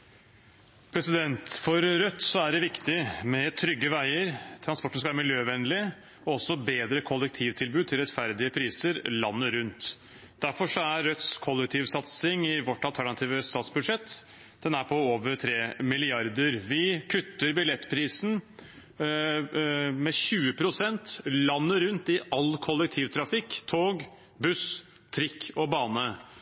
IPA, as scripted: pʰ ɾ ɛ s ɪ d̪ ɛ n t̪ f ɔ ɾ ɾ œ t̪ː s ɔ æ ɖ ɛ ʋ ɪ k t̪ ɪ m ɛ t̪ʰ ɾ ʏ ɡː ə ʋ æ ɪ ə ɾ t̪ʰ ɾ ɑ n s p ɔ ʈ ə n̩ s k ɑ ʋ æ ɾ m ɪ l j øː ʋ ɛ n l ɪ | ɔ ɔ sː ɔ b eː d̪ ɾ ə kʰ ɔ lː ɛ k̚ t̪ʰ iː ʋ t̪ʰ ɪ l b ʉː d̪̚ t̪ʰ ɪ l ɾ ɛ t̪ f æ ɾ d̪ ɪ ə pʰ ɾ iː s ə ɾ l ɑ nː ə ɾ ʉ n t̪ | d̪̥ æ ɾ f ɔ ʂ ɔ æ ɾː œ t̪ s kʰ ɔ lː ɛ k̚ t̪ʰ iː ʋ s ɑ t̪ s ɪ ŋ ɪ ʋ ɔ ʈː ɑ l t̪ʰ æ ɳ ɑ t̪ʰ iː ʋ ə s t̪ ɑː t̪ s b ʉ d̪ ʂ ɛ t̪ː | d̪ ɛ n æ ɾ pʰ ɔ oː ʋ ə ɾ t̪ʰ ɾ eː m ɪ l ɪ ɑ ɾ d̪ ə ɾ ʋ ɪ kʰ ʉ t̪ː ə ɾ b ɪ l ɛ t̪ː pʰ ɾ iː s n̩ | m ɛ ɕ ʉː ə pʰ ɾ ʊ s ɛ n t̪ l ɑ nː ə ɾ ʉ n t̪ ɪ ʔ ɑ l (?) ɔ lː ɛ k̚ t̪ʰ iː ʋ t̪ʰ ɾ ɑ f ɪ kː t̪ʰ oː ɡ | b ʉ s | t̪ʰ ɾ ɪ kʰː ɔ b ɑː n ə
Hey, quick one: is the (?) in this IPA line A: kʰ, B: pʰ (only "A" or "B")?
A